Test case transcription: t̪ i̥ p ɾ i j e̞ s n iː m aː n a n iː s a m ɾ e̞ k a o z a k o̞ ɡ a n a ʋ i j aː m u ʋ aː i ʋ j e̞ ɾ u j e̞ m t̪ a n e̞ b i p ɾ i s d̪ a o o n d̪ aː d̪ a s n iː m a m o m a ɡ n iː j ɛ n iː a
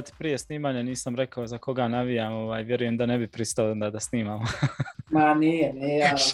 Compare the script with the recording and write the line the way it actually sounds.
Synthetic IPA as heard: t̪ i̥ p ɾ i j e̞ s n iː m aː ɲ a n iː s a m ɾ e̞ k a o z a k o̞ ɡ a n a ʋ i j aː m o ʋ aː j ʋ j e̞ ɾ u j e̞ m d̪ a n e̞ b i p ɾ i s t̪ a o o n d̪ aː d̪ a s n iː m a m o m a n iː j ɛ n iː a